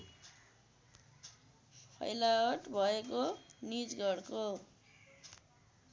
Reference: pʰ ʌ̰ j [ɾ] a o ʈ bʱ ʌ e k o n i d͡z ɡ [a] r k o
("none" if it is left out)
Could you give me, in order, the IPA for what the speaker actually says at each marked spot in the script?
l, ʌ

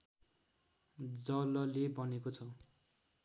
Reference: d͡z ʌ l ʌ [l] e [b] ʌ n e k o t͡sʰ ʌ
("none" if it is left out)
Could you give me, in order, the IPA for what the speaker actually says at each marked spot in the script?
l, b

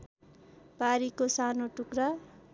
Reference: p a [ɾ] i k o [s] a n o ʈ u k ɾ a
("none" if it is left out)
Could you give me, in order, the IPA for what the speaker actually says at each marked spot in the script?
ɾ, s

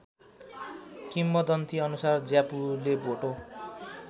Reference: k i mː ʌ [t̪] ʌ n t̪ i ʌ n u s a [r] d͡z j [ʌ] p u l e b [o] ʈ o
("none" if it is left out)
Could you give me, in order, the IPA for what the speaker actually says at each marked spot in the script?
d̪, r, a, o

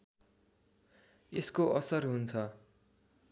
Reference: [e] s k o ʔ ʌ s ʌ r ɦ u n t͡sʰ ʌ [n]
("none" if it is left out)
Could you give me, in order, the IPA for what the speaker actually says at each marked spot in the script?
e, none

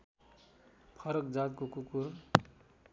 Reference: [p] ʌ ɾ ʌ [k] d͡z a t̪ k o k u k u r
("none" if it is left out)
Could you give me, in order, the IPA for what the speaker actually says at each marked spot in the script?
pʰ, k

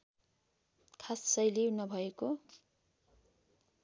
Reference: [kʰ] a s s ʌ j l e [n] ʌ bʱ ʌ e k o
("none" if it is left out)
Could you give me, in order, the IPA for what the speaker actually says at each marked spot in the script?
kʰ, n

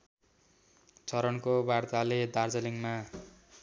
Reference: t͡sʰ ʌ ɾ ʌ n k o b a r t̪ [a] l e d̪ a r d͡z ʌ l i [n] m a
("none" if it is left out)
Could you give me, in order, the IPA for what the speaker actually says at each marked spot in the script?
a, ŋ

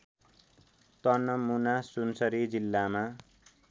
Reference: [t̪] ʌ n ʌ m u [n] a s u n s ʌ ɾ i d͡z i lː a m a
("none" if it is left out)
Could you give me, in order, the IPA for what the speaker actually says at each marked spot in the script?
t̪, n

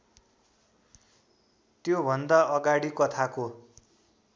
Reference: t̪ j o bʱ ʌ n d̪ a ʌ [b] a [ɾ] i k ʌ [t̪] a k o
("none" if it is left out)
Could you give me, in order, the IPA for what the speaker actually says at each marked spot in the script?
ɡ, ɽ, t̪ʰ

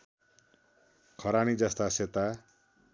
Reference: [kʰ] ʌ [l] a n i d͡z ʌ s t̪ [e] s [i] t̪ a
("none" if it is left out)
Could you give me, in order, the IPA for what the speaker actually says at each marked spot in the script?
kʰ, ɾ, a, e

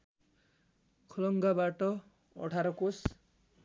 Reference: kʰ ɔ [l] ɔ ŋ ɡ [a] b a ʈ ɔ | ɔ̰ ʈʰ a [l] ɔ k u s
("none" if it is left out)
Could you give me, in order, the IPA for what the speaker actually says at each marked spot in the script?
l, a, ɾ

